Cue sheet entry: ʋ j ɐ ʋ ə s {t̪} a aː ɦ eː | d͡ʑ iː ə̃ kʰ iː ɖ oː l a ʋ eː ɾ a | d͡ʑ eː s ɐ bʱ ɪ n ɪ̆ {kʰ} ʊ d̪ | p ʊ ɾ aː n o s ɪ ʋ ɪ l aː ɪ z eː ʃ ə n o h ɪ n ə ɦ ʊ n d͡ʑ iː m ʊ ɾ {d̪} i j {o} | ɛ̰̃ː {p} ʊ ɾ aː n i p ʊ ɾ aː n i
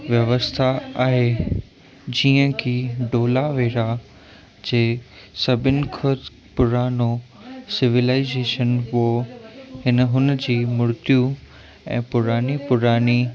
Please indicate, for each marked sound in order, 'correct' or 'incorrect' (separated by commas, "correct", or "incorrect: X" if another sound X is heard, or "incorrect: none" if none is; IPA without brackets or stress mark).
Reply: incorrect: t̪ʰ, correct, incorrect: t̪, incorrect: u, correct